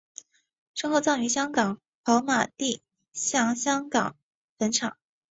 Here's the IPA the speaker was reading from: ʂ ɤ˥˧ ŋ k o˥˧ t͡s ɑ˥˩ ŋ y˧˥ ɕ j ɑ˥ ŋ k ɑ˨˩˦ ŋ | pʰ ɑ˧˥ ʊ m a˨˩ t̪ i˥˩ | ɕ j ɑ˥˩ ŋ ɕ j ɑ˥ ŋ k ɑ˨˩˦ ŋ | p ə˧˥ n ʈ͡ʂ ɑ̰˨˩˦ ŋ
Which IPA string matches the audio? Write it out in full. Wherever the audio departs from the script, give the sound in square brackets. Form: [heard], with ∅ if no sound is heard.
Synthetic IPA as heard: ʂ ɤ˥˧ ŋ [x] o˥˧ t͡s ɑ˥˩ ŋ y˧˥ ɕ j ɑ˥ ŋ k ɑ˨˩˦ ŋ | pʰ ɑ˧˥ ʊ m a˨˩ t̪ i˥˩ | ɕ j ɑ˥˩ ŋ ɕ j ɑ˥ ŋ k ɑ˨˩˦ ŋ | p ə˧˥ n [ʈ͡ʂʰ] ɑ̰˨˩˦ ŋ